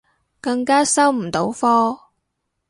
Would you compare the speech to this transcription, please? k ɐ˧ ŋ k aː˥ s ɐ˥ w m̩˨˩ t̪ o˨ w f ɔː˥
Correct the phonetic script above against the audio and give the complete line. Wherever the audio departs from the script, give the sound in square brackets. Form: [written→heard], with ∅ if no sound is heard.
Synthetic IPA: k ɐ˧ ŋ k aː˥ s ɐ˥ w m̩˨˩ t̪ [o˨→o˨˥] w f ɔː˥